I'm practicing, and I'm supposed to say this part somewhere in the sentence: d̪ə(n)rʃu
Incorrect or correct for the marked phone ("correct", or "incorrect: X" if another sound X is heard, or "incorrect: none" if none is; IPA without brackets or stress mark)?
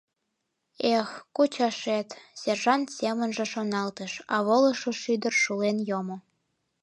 incorrect: none